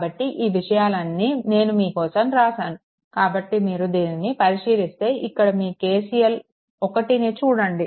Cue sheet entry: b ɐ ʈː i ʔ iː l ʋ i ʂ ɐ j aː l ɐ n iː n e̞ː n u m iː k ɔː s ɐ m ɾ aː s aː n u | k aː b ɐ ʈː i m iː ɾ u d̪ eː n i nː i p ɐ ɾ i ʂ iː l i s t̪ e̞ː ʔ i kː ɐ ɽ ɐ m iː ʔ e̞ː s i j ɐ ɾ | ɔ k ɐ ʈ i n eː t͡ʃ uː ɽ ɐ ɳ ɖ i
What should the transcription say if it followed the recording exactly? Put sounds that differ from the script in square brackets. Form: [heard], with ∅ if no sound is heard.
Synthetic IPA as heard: b ɐ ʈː i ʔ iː [∅] ʋ i ʂ ɐ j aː l ɐ [nː] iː n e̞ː n u m iː k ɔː s ɐ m ɾ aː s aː n u | k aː b ɐ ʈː i m iː ɾ u d̪ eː n i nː i p ɐ ɾ i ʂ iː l i s t̪ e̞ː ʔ i kː ɐ ɽ ɐ m iː [k] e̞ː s i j ɐ [l] | ɔ k ɐ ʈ i n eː t͡ʃ uː ɽ ɐ ɳ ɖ i